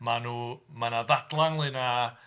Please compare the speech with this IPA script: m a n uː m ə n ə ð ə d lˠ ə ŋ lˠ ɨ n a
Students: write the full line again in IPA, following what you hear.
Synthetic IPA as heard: m a n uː m a n a ð a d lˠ a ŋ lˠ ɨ n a